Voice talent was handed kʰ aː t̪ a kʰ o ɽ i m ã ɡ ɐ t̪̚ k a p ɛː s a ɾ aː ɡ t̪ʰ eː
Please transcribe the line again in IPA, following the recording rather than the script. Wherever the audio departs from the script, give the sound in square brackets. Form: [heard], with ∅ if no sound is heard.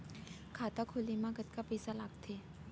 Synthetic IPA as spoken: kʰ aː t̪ a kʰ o [l] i m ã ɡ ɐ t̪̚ k a p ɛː s a [l] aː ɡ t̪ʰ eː